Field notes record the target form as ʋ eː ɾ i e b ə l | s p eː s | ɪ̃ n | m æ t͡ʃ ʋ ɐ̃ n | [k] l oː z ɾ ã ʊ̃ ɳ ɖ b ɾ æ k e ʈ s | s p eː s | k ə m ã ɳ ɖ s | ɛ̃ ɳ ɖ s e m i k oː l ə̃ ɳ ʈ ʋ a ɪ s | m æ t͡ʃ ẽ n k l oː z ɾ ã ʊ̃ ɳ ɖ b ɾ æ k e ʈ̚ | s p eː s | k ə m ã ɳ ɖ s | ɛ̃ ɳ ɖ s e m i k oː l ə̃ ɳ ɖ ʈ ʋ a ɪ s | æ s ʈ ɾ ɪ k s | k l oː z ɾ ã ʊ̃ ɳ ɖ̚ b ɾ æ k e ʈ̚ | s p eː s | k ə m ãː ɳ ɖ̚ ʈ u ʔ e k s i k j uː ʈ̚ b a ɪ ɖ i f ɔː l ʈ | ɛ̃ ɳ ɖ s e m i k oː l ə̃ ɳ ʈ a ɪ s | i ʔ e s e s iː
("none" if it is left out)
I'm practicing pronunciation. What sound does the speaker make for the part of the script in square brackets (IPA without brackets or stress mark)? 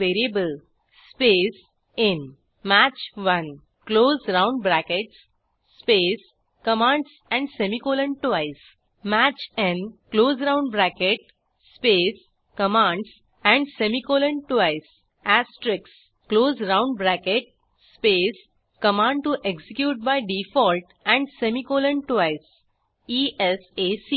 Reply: k